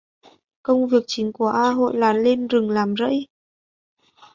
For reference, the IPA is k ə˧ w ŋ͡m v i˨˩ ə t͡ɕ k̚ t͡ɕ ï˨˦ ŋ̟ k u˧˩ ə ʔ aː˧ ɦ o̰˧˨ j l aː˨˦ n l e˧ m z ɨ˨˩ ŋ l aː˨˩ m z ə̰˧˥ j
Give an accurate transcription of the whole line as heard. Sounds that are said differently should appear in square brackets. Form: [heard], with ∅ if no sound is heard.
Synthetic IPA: k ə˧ w ŋ͡m v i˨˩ ə [∅] k̚ t͡ɕ ï˨˦ ŋ̟ k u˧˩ ə ʔ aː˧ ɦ o̰˧˨ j l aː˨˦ n l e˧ [n] z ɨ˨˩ ŋ l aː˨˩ m z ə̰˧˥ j